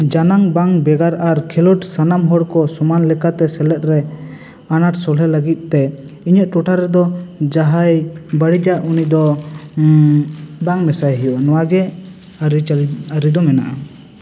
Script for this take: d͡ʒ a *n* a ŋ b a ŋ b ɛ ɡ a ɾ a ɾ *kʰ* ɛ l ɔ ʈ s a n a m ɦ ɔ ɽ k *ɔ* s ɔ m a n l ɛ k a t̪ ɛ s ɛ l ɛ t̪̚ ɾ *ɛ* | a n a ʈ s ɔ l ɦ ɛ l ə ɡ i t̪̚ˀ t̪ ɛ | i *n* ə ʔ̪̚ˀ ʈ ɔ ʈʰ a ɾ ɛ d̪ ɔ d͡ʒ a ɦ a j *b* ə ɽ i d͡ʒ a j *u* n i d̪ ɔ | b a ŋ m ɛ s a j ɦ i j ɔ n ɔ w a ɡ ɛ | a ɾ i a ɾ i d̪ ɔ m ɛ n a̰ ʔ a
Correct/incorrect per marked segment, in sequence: correct, correct, correct, correct, incorrect: ɲ, correct, correct

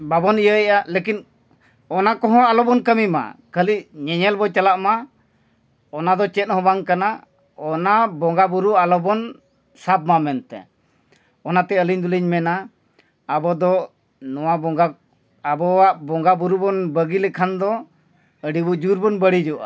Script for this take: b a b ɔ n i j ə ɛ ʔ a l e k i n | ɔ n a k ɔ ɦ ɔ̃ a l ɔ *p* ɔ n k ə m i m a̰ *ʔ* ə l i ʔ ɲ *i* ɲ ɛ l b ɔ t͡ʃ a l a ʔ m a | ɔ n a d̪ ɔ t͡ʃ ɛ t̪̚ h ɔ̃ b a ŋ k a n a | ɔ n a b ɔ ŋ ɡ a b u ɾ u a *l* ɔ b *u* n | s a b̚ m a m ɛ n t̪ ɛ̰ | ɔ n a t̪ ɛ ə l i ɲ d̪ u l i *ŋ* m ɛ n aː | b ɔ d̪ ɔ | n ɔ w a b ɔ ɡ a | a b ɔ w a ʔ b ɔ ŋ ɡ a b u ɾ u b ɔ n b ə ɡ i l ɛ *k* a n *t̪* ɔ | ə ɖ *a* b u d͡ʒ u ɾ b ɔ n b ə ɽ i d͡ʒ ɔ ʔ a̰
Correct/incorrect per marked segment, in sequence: incorrect: b, incorrect: k, incorrect: ɛ, correct, incorrect: ɔ, incorrect: ɲ, incorrect: kʰ, incorrect: d̪, incorrect: i

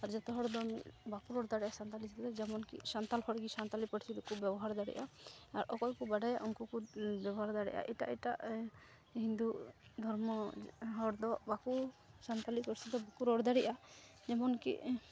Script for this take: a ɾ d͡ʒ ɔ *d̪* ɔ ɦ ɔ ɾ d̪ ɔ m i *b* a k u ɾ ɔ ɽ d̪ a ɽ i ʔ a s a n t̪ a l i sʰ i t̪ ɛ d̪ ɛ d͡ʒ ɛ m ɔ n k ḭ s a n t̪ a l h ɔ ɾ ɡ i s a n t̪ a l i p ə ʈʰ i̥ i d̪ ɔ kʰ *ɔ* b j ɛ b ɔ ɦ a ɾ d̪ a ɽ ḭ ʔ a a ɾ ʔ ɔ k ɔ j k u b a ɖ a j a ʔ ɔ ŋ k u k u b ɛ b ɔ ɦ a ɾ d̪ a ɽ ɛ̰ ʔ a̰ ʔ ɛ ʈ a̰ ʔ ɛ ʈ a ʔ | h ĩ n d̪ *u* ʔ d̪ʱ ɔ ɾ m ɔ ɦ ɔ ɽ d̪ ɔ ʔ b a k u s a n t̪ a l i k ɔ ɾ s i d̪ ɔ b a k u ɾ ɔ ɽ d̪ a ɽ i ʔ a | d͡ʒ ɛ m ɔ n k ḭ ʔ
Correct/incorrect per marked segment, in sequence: incorrect: t̪, correct, incorrect: u, correct

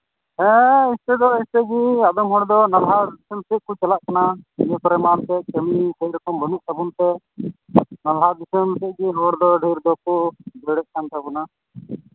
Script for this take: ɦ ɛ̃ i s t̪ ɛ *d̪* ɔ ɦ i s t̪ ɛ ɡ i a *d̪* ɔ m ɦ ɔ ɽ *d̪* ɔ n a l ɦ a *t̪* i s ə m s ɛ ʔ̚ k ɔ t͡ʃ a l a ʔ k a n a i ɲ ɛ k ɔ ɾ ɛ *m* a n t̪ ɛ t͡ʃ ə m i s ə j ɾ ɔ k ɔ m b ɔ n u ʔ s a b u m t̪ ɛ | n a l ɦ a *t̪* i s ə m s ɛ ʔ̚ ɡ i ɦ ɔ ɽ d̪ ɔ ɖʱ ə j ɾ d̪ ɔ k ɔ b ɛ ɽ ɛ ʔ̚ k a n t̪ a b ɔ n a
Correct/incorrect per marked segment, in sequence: correct, correct, correct, incorrect: d̪, correct, incorrect: d̪

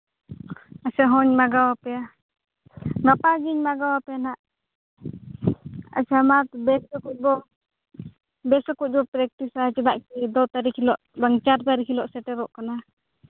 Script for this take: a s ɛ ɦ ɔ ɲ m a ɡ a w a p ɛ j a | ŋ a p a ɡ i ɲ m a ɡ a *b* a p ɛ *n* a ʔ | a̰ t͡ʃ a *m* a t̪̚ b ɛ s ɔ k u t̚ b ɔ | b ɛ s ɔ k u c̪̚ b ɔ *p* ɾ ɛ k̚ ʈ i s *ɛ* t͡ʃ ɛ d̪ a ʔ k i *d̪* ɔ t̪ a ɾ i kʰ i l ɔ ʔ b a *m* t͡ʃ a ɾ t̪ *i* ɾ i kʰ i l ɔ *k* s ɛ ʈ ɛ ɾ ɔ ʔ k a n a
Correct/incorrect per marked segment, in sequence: incorrect: w, correct, correct, correct, incorrect: a, correct, incorrect: ŋ, incorrect: a, incorrect: ʔ

